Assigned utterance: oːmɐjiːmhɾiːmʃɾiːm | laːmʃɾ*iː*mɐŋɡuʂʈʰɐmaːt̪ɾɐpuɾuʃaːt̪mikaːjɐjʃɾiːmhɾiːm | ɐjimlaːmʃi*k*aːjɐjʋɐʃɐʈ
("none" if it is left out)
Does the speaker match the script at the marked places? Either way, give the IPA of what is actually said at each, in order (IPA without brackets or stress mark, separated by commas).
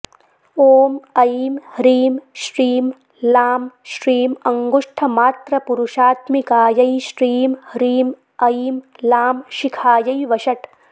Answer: iː, kʰ